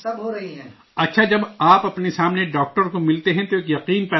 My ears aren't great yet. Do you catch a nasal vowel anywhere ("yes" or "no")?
yes